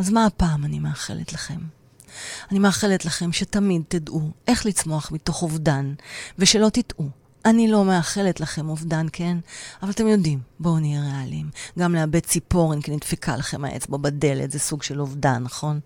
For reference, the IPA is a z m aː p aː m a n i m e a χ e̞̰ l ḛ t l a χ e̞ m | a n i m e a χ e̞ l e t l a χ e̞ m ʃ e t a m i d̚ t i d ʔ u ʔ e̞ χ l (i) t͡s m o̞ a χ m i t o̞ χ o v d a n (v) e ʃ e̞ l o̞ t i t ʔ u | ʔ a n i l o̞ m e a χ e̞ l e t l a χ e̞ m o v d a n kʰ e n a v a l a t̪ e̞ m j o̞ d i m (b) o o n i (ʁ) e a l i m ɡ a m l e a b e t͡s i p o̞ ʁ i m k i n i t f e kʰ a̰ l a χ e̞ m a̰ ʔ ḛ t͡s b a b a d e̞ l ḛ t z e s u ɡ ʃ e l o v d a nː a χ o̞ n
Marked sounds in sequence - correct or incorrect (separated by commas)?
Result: correct, correct, correct, correct